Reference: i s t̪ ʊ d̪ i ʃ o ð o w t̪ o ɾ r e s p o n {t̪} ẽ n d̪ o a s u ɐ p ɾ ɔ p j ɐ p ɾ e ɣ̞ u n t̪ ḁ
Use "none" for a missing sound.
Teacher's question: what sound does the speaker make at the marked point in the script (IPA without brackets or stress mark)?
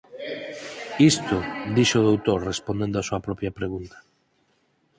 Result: d̪